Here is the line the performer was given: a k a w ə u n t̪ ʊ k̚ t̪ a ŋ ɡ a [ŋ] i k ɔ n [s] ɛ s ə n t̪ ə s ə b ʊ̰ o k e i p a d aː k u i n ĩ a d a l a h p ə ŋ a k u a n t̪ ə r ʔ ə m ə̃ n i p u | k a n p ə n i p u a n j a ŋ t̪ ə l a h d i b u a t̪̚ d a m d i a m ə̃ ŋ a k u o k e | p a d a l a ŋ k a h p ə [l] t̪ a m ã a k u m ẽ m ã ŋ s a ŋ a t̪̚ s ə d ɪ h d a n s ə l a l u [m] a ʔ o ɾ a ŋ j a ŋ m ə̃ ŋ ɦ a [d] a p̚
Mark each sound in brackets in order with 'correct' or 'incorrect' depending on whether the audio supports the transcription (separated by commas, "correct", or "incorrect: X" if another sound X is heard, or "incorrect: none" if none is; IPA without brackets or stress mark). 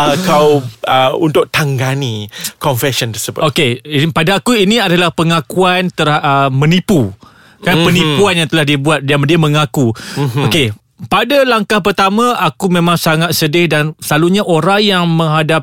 incorrect: n, incorrect: f, incorrect: r, incorrect: ɲ, correct